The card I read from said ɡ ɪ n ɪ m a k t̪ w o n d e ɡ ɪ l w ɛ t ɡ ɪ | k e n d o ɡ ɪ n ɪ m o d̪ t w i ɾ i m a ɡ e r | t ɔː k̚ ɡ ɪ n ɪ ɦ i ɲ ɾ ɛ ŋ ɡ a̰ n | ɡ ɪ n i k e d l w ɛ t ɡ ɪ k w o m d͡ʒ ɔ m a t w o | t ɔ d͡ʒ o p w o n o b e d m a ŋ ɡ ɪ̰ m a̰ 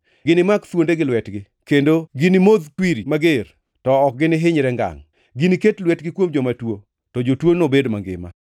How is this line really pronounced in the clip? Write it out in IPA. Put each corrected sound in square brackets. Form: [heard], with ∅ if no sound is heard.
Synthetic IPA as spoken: ɡ ɪ n ɪ m a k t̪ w o n d e ɡ ɪ l w ɛ t ɡ ɪ | k e n d o ɡ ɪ n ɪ m o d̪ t w i ɾ i m a ɡ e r | t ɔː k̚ ɡ ɪ n ɪ ɦ [ɪ] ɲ ɾ ɛ ŋ ɡ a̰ [ŋ] | ɡ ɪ n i k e [t] l w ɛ t ɡ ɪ k w o m d͡ʒ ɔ m a t w o | t ɔ d͡ʒ o [t] w o n o b e d m a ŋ ɡ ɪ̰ m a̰